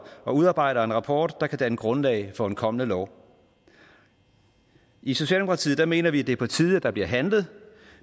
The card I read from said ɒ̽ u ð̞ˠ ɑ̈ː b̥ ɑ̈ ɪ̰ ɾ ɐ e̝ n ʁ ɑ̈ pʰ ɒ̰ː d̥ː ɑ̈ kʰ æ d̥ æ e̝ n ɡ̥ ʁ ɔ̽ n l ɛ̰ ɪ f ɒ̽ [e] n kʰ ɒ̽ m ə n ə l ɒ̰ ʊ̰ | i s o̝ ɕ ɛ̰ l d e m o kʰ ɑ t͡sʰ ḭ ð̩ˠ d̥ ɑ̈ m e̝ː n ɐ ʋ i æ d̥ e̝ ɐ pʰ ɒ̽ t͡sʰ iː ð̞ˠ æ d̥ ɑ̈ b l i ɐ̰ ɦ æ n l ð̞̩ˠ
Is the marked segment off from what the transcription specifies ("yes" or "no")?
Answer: no